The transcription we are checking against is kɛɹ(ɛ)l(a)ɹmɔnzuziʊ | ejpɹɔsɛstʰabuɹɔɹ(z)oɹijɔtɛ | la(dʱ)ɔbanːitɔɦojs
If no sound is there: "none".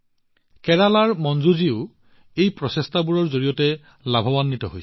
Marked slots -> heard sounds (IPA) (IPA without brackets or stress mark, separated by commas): a, a, z, bʱ